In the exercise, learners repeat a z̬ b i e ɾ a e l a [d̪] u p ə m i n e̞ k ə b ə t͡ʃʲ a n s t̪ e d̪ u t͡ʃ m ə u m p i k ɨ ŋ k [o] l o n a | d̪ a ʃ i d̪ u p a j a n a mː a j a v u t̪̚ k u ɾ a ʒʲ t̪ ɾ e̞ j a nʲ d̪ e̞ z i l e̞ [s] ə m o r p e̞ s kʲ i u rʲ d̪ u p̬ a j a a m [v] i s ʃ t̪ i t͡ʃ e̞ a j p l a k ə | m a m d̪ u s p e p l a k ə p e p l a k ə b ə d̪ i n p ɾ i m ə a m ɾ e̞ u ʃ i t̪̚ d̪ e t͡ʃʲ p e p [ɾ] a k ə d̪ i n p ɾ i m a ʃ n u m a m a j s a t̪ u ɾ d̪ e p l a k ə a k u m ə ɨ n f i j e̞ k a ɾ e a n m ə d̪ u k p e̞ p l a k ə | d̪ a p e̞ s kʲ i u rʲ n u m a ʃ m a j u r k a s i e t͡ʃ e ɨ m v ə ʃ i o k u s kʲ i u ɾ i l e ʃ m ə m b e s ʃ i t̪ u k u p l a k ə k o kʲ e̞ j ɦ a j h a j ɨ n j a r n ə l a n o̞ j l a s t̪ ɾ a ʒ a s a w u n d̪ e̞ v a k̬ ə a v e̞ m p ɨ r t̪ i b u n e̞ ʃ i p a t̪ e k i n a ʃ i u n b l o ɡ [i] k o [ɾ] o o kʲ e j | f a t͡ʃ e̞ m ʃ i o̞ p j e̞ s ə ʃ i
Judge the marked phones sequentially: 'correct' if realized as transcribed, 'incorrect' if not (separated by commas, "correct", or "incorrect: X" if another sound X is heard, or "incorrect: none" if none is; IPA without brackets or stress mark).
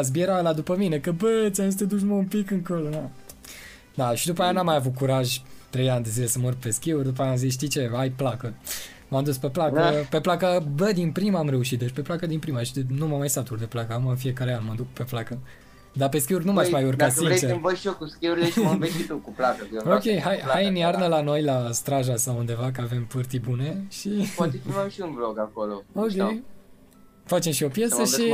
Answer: correct, correct, correct, incorrect: z, incorrect: l, incorrect: a, incorrect: l